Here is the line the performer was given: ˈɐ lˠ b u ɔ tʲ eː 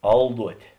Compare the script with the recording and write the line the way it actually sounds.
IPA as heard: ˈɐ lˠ d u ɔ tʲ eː